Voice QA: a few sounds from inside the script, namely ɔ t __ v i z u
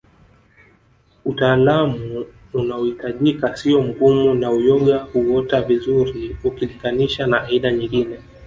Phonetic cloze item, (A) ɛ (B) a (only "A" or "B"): B